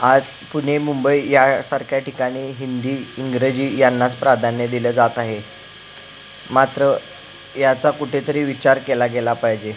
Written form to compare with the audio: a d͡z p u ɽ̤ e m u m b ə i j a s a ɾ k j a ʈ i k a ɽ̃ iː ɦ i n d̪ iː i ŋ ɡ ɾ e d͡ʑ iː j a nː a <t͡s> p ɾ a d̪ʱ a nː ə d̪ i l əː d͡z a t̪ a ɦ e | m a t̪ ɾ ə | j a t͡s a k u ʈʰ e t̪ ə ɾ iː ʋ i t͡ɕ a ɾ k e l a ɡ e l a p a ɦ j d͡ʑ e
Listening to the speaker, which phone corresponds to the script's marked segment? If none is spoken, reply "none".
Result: t͡s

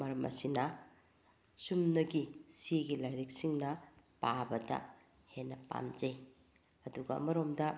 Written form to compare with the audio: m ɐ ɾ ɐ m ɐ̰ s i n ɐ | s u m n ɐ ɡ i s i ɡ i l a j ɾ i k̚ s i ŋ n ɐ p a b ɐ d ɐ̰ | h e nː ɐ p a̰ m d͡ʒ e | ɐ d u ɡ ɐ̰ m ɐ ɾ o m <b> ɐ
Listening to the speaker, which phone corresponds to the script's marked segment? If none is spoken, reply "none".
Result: d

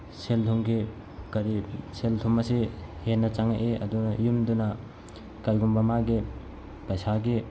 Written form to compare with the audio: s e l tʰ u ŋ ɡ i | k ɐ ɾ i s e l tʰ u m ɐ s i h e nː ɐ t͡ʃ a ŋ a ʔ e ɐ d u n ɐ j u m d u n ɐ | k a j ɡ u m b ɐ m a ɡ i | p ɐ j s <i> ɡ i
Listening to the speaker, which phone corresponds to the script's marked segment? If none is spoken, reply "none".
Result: a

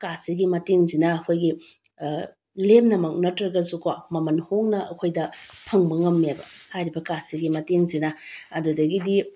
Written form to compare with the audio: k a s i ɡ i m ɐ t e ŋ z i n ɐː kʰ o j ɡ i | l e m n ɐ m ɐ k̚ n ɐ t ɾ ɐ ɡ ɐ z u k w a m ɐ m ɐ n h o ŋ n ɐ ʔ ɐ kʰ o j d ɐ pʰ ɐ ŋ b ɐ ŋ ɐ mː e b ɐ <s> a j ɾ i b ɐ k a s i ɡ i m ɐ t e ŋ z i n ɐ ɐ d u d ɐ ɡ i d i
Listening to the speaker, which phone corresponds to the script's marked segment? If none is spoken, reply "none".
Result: h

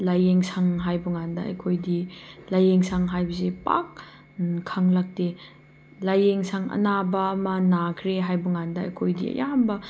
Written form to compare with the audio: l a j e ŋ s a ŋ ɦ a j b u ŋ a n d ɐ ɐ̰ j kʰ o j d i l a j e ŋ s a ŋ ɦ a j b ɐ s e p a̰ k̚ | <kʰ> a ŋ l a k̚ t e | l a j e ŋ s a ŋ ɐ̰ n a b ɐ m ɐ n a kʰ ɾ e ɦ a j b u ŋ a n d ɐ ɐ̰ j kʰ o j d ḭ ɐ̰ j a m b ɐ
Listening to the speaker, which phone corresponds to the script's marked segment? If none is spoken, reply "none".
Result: kʰ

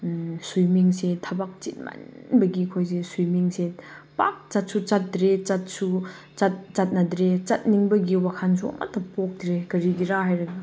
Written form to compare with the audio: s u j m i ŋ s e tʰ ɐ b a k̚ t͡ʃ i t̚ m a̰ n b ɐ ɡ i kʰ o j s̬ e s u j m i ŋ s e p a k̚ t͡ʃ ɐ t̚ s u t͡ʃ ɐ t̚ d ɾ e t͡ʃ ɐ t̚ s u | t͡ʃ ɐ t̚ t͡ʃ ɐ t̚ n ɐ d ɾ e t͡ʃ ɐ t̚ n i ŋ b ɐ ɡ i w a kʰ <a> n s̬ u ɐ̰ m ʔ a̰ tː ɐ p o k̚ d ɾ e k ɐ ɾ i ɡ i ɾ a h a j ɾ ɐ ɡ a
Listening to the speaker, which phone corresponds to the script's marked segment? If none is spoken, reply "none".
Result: a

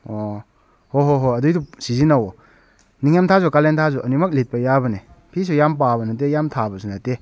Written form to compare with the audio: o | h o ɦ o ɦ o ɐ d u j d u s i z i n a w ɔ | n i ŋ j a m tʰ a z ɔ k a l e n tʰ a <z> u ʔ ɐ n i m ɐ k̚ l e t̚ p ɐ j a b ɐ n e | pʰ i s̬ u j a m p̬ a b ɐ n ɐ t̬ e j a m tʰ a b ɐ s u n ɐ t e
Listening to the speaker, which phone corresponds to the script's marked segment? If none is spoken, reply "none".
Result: z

